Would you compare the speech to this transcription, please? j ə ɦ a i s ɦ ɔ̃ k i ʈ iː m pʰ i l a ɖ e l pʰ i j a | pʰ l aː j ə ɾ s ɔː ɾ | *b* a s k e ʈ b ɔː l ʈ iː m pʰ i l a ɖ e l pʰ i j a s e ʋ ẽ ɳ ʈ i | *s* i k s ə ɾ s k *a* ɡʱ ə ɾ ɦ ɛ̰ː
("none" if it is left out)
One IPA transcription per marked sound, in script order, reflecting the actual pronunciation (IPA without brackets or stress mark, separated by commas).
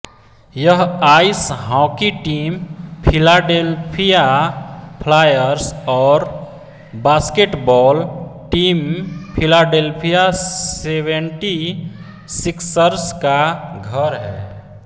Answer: b, s, a